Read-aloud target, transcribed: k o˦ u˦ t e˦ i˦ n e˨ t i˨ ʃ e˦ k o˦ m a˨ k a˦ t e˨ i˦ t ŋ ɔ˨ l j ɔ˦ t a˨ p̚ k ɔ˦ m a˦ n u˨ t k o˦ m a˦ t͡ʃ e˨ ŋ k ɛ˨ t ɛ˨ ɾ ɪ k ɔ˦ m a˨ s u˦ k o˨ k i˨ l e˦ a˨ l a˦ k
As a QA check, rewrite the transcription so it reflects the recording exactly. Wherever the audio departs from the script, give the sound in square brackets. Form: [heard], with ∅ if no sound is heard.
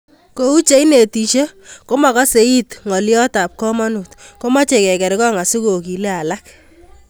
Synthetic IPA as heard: k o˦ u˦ [t͡ʃ] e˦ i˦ n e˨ t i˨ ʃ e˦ k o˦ m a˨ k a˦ [s] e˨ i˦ t ŋ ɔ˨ l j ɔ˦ t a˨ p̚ k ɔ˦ m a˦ n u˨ t k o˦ m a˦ t͡ʃ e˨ [∅] k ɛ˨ [k] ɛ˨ ɾ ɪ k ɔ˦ [ŋ] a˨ s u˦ k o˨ k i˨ l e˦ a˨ l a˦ k